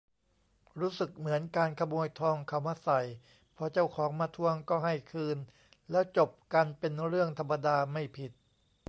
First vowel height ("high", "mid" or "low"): high